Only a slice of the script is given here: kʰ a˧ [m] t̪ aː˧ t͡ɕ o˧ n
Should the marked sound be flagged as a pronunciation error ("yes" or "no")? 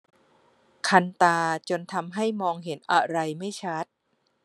yes